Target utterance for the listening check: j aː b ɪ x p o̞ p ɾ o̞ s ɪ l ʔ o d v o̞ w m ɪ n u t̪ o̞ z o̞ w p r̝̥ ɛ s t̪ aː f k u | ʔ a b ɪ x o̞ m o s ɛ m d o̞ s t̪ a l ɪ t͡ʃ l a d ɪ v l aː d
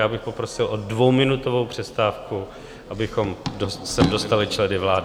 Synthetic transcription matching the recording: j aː b ɪ x p o̞ p ɾ o̞ s ɪ l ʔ o d v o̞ w m ɪ n u t̪ o̞ v o̞ w p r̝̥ ɛ s t̪ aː f k u | ʔ a b ɪ x o̞ m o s ɛ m d o̞ s t̪ a l ɪ t͡ʃ l ɛ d ɪ v l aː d